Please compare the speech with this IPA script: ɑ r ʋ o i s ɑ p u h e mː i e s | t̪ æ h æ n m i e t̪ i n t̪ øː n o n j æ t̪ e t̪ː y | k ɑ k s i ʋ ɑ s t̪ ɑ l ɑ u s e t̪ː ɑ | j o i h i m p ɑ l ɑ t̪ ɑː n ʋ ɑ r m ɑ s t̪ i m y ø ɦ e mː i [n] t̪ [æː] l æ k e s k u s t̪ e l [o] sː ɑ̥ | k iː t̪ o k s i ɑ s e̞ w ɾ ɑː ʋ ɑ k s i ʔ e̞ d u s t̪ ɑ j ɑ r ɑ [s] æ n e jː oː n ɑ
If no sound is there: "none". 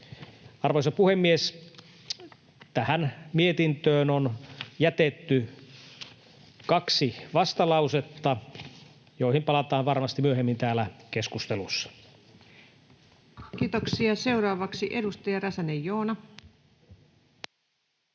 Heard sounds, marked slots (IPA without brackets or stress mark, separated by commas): n, æː, u, s